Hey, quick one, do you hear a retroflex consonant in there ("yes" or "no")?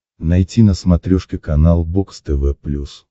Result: yes